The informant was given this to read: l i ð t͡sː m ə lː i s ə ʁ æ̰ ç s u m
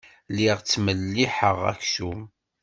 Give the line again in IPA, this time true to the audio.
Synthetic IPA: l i ʁ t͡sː m ə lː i ħ ə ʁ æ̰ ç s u m

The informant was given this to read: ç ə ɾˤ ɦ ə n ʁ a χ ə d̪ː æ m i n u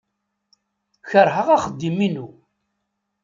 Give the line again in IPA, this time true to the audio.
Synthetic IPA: ç ə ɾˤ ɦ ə ʁ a χ ə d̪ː i m i n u

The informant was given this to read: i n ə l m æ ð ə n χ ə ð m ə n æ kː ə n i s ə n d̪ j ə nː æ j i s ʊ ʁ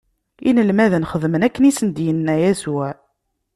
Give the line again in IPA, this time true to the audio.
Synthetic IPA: i n ə l m æ ð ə n χ ə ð m ə n æ kː ə n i s ə n d̪ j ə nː æ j æ s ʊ ʕ

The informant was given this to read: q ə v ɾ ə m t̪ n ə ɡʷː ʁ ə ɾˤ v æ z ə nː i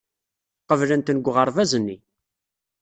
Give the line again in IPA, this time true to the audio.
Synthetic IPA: q ə v l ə n t̪ n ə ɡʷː ʁ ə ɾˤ v æ z ə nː i

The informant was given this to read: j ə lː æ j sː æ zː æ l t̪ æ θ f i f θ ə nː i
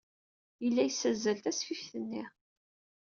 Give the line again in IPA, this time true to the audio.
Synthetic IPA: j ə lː æ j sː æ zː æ l t̪ æ s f i f θ ə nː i

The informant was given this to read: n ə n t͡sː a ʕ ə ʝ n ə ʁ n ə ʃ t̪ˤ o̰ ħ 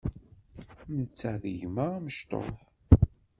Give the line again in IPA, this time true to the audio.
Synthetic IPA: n ə t͡sː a ð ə ʝ m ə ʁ m ə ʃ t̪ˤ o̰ ħ

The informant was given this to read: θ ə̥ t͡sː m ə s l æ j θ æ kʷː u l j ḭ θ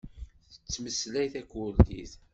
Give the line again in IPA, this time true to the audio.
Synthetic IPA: θ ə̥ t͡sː m ə s l æ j θ æ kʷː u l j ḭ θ

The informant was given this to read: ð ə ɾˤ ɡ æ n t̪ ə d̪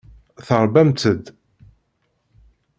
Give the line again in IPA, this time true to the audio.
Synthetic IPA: θ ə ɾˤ b æ m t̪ ə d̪

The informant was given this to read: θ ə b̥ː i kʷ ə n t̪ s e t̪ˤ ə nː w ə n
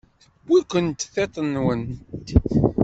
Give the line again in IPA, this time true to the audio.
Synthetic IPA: θ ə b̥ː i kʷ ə n t̪ θ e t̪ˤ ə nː w ə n

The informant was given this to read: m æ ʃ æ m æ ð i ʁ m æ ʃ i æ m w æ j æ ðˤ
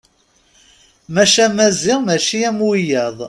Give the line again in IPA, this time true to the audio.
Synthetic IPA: m æ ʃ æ m æ z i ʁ m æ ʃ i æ m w i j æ ðˤ

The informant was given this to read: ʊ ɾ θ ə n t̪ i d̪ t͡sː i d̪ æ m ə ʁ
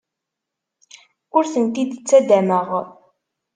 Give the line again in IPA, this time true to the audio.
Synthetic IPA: ʊ ɾ θ ə n t̪ i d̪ t͡sː æ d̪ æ m ə ʁ

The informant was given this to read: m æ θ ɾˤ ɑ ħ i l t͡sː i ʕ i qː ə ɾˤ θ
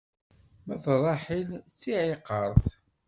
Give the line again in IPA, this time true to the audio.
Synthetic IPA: m æ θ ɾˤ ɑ ħ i l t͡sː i ʕ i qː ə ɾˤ θ

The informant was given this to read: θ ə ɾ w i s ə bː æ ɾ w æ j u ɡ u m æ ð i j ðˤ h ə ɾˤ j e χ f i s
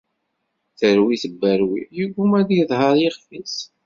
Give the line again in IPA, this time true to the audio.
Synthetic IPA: θ ə ɾ w i θ ə bː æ ɾ w i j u ɡ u m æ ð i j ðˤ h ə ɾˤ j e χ f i s

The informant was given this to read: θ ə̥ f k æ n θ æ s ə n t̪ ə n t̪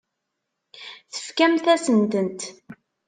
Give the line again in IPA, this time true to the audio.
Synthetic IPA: θ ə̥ f k æ m θ æ s ə n t̪ ə n t̪

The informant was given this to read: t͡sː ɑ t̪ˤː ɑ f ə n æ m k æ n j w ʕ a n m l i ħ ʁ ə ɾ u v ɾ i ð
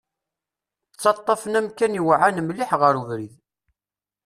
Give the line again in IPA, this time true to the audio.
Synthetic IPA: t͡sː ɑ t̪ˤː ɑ f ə n æ m k æ n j w ʕ a n m l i ħ ʁ ə ɾ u v ɾ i ð

